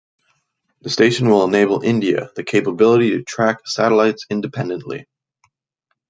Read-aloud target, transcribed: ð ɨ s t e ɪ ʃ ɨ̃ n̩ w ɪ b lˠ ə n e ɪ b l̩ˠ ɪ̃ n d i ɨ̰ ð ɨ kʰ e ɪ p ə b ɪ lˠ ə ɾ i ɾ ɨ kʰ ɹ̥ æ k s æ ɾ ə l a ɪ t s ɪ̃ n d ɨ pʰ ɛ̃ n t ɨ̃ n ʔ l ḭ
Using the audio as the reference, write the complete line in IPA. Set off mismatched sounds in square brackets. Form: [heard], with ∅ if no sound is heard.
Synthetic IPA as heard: ð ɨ s t e ɪ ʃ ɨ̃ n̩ w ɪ [∅] lˠ ə n e ɪ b l̩ˠ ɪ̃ n d i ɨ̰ ð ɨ kʰ e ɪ p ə b ɪ lˠ ə ɾ i ɾ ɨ [tʰ] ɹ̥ æ k s æ ɾ ə l a ɪ t s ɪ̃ n d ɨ pʰ ɛ̃ n [d] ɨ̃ n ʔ l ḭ

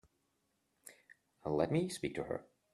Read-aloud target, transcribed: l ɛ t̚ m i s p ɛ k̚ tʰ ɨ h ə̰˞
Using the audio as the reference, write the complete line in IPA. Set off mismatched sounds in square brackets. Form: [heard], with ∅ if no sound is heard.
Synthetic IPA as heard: l ɛ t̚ m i s p [i] k̚ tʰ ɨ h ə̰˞

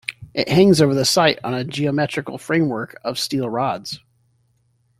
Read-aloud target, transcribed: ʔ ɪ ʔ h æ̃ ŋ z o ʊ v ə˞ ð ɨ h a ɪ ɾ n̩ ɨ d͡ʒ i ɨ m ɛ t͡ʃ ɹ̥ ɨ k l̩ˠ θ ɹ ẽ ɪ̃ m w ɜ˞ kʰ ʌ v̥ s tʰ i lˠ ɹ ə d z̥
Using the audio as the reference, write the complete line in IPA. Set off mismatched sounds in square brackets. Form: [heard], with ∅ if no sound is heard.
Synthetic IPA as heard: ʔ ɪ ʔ h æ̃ ŋ z o ʊ v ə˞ ð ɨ [s] a ɪ ɾ n̩ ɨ d͡ʒ i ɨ m ɛ t͡ʃ ɹ̥ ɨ k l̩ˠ [f] ɹ ẽ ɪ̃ m w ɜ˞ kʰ ʌ v̥ s [t] i lˠ ɹ [ɑ] d z̥

